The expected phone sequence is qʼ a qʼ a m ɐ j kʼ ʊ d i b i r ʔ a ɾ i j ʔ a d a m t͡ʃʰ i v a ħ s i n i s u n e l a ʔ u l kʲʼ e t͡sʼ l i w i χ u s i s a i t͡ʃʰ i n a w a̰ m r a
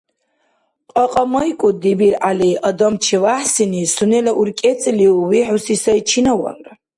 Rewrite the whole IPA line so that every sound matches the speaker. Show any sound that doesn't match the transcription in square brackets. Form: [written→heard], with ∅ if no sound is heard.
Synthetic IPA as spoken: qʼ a qʼ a m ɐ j kʼ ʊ d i b i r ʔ a [ɾ→l] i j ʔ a d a m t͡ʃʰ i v a ħ s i n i s u n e l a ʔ u [l→r] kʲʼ e t͡sʼ l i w i [χ→ħ] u s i s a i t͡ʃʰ i n a w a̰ [m→n] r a